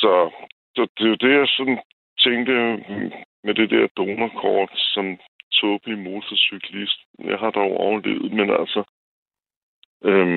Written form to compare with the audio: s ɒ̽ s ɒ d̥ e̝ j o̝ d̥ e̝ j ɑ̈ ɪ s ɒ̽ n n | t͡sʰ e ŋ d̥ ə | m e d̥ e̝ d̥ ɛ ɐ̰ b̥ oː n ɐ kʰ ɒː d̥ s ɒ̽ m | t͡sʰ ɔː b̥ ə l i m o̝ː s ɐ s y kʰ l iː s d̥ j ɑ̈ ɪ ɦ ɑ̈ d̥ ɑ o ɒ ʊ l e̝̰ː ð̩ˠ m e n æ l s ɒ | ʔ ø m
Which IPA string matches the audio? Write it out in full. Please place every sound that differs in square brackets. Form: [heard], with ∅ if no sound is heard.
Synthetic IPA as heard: s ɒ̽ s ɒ d̥ e̝ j o̝ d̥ e̝ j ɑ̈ ɪ s ɒ̽ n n | t͡sʰ e ŋ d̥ ə | m e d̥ e̝ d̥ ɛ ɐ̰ [d̥] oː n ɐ kʰ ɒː d̥ s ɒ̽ m | t͡sʰ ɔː b̥ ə l i m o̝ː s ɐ s y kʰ l [i] s d̥ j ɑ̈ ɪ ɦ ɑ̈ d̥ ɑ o ɒ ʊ l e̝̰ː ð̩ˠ m e n æ l s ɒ | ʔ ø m